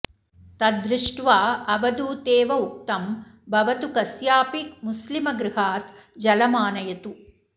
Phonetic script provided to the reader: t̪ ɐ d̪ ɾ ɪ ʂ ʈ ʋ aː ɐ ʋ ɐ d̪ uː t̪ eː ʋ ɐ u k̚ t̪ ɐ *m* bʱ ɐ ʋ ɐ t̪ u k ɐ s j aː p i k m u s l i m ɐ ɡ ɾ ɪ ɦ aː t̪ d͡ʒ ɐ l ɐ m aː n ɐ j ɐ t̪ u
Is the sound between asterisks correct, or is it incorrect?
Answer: correct